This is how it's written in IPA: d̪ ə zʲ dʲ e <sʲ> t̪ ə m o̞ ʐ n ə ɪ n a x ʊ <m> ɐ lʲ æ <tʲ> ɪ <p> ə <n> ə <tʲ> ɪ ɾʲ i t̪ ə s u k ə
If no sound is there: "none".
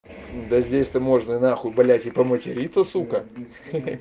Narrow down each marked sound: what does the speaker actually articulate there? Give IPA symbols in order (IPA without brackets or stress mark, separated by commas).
sʲ, b, tʲ, p, m, tʲ